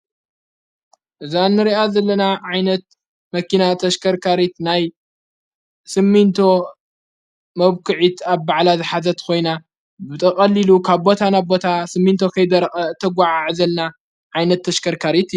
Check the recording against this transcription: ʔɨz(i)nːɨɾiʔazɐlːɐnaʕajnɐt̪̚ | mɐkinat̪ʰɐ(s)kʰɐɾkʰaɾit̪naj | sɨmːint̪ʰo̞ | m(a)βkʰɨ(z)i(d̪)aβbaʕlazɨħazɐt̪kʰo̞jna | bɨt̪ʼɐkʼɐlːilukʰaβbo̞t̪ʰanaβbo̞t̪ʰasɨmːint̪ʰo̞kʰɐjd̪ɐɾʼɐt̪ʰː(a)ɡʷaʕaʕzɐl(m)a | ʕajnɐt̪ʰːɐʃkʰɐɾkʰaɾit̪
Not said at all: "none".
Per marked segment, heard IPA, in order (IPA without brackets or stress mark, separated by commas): a, ʃ, ɐ, ʕ, t̪, ɐ, n